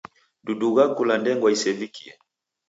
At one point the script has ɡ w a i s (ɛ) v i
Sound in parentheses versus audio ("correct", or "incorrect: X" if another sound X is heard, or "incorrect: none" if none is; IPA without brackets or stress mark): correct